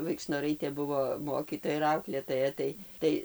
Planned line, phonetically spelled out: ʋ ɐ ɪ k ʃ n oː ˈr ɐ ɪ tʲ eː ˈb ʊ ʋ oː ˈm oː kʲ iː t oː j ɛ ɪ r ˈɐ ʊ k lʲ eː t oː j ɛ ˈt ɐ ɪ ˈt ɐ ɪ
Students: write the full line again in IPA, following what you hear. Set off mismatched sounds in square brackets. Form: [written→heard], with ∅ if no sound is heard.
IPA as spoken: ʋ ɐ ɪ k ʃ n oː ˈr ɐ ɪ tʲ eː ˈb ʊ ʋ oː ˈm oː kʲ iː t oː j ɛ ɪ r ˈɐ ʊ k lʲ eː t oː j ɛ ˈt ɐ ɪ ˈt ɐ ɪ